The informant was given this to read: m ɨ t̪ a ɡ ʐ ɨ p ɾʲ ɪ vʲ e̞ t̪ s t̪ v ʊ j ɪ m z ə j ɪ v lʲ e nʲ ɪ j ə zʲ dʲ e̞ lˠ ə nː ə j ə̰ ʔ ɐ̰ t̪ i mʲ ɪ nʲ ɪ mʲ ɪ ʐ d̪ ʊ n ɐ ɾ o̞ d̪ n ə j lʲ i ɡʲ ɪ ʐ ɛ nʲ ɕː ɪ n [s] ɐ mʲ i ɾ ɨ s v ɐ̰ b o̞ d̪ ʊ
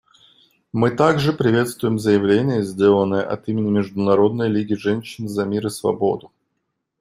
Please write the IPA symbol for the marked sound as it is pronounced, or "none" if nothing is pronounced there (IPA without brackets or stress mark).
z